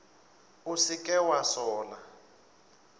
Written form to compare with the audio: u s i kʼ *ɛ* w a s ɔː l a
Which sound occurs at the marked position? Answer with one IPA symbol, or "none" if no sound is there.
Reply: ɛ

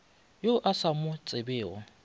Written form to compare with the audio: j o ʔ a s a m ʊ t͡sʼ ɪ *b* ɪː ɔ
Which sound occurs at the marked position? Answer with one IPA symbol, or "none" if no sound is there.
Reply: b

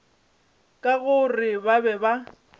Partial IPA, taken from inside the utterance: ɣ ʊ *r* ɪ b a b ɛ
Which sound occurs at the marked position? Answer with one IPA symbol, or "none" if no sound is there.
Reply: r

